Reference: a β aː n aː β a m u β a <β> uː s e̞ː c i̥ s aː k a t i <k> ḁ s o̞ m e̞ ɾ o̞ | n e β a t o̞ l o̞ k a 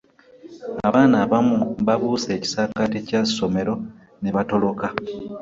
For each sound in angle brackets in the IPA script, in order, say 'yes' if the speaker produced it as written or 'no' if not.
yes, no

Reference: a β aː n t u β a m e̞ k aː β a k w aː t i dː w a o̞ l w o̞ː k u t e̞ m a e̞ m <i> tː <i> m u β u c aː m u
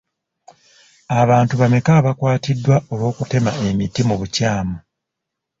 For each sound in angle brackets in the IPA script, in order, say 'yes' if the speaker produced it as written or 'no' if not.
yes, yes

